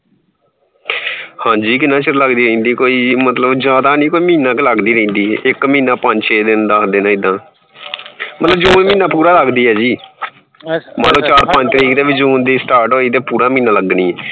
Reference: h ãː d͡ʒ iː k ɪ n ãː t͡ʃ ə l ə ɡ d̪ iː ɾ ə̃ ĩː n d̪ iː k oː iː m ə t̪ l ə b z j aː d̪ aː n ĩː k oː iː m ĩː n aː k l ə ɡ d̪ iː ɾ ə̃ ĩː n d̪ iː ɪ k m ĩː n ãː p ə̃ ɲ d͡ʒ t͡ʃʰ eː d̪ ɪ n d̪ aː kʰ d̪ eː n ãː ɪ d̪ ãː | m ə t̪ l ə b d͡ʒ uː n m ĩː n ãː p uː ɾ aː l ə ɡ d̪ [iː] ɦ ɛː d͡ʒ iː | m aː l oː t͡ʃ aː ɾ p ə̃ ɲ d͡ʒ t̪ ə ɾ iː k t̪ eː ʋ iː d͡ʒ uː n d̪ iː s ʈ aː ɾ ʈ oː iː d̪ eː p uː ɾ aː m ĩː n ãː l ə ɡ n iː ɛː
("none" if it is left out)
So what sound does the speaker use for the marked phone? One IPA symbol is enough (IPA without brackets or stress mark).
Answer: iː